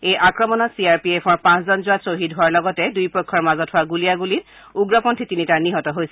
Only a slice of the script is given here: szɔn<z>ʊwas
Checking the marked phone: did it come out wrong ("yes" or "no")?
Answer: no